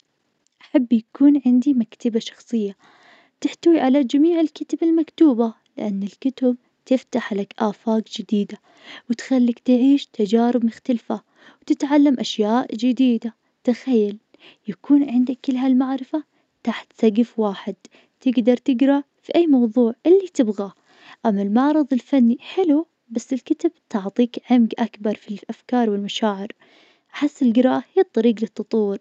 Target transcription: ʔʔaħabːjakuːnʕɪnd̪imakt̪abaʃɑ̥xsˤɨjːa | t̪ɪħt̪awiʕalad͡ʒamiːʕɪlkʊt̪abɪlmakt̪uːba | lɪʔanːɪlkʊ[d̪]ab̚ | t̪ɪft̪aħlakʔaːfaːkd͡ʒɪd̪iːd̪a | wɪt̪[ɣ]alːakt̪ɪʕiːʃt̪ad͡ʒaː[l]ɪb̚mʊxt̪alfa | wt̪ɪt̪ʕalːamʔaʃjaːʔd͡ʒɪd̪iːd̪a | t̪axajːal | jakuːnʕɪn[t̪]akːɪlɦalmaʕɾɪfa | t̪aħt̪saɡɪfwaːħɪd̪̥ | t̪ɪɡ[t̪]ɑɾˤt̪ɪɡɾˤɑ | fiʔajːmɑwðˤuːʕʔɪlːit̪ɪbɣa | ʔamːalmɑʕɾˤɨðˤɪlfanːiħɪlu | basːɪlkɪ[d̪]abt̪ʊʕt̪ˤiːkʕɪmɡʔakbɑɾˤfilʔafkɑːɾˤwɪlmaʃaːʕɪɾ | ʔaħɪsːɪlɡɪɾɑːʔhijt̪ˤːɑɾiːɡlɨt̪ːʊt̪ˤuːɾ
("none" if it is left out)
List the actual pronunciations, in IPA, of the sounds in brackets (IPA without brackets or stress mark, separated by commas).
t̪, x, ɾ, d̪, d̪, t̪